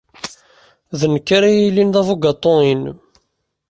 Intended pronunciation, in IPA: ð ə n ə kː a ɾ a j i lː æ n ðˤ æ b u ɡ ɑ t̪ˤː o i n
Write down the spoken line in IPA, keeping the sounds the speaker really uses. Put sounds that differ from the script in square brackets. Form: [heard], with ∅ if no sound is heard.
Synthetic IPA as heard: ð ə n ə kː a ɾ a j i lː [i] n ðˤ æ [v] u ɡ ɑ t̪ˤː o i n